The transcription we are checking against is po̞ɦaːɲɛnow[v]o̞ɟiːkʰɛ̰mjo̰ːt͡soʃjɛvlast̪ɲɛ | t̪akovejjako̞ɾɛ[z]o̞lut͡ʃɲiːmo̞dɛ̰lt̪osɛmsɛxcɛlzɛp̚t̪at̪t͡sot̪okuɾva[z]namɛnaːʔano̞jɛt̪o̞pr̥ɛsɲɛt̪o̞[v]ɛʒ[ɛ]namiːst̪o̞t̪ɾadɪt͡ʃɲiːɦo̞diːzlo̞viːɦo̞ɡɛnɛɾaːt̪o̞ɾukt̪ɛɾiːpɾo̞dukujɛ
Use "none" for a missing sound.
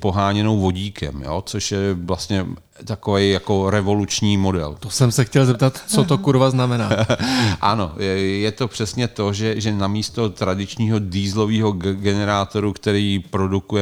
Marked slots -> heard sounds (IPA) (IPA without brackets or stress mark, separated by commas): v, v, z, ʒ, ɛ